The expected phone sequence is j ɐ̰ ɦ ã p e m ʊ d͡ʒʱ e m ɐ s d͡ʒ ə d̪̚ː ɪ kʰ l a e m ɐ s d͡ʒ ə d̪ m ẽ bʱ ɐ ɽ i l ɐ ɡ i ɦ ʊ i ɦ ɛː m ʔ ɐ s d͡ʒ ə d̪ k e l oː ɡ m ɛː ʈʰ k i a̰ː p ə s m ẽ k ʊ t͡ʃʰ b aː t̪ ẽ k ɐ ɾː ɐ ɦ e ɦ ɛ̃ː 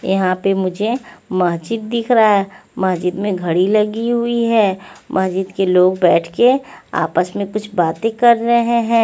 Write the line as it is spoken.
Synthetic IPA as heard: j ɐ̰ ɦ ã p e m ʊ d͡ʒʱ e m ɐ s d͡ʒ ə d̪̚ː ɪ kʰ ɾ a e m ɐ s d͡ʒ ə d̪ m ẽ ɡʱ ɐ ɽ i l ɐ ɡ i ɦ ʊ i ɦ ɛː m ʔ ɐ s d͡ʒ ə d̪ k e l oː ɡ b ɛː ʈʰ k e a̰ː p ə s m ẽ k ʊ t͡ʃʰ b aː t̪ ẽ k ɐ ɾː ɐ ɦ e ɦ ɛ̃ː